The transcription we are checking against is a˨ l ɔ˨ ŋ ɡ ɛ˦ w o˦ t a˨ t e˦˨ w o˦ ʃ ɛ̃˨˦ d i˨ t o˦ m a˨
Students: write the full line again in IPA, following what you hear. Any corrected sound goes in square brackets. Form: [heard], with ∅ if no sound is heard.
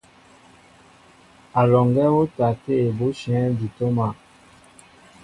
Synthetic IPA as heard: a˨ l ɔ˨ ŋ ɡ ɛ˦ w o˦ t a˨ t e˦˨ [b] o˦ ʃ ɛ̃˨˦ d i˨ t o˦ m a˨

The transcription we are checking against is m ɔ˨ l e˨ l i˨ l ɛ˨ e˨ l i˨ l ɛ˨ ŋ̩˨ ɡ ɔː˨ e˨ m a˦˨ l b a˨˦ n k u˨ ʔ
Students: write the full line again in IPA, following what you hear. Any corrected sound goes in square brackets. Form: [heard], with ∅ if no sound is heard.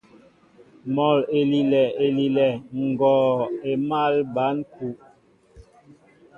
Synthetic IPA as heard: m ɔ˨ l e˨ l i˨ l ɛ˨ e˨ l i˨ l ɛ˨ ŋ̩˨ ɡ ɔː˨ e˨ m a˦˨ l b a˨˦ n k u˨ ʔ

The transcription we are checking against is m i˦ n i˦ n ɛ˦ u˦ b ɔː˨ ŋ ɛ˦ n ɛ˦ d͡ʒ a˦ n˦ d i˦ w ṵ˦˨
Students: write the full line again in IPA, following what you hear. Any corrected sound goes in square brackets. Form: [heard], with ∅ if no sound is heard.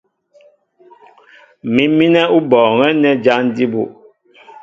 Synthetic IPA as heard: m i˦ [m] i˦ n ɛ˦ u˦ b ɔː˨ ŋ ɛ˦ n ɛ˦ d͡ʒ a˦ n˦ d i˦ [b] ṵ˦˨

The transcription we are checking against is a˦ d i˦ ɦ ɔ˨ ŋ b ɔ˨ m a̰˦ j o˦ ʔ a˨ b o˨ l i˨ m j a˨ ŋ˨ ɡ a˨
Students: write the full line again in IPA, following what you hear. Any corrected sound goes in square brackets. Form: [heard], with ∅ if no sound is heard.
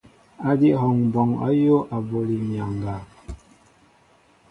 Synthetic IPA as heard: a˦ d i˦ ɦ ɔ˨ ŋ b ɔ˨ [ŋ] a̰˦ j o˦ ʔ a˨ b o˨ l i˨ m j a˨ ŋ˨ ɡ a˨

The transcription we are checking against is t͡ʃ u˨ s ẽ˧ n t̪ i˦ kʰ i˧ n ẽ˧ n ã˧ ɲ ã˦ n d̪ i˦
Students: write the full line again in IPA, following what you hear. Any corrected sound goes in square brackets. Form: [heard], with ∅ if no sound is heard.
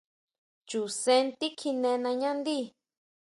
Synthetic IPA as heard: t͡ʃ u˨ s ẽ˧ n t̪ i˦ kʰ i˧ n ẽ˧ n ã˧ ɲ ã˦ n d̪ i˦

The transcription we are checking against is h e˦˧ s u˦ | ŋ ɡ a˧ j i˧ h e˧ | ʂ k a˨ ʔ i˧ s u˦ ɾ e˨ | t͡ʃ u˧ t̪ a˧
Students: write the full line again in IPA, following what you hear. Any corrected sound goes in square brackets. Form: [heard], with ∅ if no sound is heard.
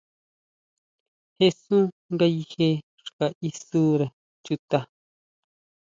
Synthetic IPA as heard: h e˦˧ s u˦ | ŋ ɡ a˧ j i˧ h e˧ | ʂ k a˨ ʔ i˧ s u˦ ɾ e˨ | t͡ʃ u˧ t̪ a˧

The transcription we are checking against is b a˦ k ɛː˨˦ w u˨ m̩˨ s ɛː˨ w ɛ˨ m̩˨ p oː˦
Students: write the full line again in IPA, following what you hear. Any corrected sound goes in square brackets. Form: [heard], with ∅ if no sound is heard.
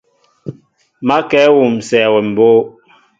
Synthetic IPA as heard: [m] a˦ k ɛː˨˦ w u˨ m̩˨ s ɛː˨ w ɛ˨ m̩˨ [b] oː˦

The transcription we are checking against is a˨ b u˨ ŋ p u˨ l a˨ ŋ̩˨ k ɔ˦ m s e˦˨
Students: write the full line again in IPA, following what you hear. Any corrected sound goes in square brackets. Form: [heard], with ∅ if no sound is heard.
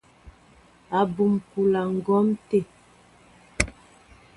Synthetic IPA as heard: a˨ b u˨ [m] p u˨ l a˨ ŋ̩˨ [ɡ] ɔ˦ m [t] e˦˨

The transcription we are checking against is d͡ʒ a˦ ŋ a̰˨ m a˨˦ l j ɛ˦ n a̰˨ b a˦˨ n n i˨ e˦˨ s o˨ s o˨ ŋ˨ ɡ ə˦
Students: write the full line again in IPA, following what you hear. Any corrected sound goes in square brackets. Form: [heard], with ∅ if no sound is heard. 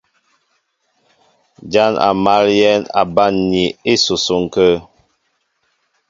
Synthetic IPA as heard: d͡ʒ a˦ [n] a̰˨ m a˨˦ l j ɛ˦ n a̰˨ b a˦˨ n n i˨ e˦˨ s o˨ s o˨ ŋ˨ [k] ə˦

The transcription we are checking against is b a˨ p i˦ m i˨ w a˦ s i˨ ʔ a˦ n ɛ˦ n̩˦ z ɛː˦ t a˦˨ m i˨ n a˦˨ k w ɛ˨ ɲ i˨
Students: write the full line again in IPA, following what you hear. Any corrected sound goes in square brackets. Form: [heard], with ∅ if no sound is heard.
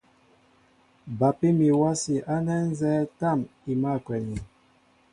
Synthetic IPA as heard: b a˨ p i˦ m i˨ w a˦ s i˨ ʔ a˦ n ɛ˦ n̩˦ z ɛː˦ t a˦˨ m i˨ [m] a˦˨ k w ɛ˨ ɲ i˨

